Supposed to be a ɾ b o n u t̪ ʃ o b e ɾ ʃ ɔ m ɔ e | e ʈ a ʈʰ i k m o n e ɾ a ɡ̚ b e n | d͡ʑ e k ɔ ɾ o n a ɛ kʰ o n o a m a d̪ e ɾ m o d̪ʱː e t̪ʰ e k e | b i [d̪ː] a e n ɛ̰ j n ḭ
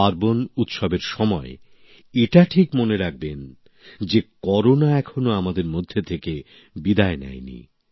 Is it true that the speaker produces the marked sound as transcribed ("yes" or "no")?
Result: no